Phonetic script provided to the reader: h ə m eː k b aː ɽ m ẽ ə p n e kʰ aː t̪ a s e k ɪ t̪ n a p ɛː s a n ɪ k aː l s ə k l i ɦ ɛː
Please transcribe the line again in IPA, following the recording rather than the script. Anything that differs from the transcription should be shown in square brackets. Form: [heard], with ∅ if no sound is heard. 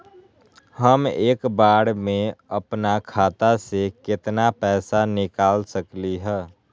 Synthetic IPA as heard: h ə m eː k b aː ɽ m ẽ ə p n [a] kʰ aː t̪ a s e k ɪ t̪ n a p ɛː s a n ɪ k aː l s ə k l i ɦ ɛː

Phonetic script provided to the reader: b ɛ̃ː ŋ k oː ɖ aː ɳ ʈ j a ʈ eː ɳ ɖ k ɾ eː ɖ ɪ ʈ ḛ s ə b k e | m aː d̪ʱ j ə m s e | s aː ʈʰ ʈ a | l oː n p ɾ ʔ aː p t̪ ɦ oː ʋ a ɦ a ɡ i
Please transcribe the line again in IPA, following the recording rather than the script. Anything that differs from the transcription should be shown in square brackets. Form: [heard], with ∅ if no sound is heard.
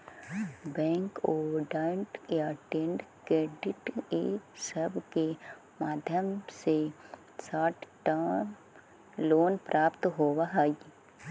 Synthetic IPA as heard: b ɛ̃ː ŋ k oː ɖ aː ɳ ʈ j a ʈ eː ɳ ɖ k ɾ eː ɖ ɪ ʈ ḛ s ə b k e | m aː d̪ʱ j ə m s e | s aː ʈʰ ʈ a | l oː n p ɾ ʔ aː p t̪ ɦ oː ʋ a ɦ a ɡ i

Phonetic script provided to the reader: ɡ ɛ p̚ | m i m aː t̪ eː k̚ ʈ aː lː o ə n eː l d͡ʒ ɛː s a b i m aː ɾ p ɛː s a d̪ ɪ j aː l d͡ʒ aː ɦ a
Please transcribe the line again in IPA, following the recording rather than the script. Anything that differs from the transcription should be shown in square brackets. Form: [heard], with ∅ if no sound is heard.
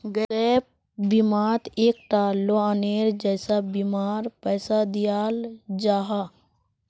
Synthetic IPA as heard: ɡ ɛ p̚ | [b] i m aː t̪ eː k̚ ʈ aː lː o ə n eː [ɾ] d͡ʒ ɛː s a b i m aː ɾ p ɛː s a d̪ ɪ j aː l d͡ʒ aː ɦ a

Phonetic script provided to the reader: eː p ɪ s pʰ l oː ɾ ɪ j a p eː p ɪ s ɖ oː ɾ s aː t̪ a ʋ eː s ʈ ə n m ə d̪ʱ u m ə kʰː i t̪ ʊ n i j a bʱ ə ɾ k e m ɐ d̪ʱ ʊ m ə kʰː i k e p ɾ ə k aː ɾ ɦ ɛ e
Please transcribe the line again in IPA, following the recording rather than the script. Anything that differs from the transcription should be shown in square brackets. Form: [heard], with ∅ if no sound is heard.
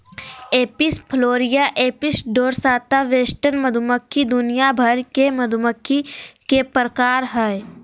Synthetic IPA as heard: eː p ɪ s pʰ l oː ɾ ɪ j a [ʔ] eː p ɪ s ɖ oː ɾ s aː t̪ a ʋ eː s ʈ ə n m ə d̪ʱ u m ə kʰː i [d̪] ʊ n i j a bʱ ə ɾ k e m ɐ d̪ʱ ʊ m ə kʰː i k e p ɾ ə k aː ɾ ɦ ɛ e

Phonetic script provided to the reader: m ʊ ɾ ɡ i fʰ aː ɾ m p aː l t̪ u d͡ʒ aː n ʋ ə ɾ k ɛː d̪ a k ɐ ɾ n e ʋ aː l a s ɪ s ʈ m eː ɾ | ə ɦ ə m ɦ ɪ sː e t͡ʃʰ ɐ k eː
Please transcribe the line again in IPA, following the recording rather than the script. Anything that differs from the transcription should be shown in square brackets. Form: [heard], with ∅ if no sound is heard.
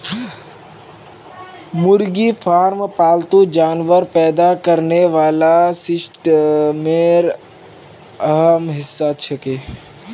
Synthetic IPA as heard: m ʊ ɾ ɡ i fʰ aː ɾ m p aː l t̪ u d͡ʒ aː n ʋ ə ɾ [p] ɛː d̪ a k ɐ ɾ n e ʋ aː l a s ɪ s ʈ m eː ɾ | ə ɦ ə m ɦ ɪ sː [a] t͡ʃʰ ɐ k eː

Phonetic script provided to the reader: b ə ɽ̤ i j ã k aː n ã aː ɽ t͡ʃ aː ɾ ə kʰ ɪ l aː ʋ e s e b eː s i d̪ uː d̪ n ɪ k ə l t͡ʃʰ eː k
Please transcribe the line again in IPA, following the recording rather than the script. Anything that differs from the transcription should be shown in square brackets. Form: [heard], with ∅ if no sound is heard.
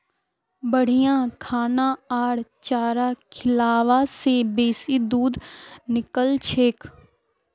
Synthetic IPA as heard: b ə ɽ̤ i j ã [kʰ] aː n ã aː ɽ t͡ʃ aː ɾ [a] kʰ ɪ l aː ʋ [a] s e b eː s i d̪ uː d̪ n ɪ k ə l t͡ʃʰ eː k

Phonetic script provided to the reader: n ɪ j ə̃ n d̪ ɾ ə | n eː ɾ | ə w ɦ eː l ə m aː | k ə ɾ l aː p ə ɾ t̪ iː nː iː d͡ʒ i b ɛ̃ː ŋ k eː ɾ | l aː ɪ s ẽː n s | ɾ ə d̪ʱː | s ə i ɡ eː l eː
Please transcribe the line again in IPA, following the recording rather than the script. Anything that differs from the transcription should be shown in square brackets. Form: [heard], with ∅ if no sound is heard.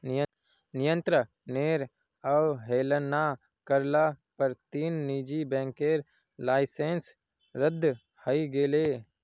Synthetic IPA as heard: n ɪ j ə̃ n [t̪] ɾ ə | n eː ɾ | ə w ɦ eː l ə [n] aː | k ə ɾ l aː p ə ɾ t̪ iː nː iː d͡ʒ i b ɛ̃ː ŋ k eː ɾ | l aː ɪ s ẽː n s | ɾ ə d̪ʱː | [h] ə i ɡ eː l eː

